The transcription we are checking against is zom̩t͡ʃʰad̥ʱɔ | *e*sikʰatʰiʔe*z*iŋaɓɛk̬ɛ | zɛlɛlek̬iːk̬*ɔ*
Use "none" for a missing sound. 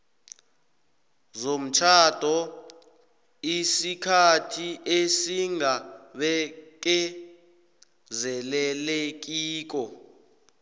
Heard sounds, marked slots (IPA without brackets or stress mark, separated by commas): i, s, ɔ